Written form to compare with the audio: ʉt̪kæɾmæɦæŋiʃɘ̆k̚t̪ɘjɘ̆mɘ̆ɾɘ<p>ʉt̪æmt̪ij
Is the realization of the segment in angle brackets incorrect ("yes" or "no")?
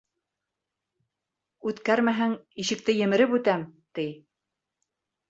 no